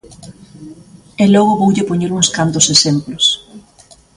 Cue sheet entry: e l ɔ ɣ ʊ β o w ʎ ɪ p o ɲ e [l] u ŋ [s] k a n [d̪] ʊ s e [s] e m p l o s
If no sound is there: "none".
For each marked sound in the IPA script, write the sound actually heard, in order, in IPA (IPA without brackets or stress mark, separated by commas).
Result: ɾ, s, t̪, s